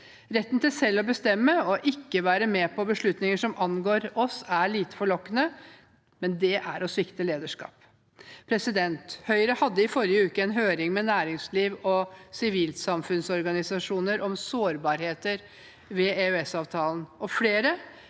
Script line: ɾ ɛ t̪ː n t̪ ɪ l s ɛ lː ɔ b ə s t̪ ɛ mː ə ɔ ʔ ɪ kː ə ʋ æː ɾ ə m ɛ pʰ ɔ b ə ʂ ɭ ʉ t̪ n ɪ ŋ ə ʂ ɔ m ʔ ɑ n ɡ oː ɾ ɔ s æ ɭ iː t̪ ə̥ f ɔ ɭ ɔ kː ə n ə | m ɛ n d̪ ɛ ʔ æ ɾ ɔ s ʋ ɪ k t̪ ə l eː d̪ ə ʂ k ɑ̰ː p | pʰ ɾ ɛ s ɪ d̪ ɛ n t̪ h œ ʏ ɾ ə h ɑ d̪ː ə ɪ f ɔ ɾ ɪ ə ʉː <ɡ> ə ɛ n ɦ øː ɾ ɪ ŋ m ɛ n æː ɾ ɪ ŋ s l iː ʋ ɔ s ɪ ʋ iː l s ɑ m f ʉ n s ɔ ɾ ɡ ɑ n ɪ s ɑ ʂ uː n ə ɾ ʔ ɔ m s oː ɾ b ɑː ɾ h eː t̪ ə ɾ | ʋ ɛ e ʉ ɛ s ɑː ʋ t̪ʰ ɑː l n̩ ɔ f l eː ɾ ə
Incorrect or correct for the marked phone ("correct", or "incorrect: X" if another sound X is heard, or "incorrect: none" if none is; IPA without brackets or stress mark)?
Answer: incorrect: k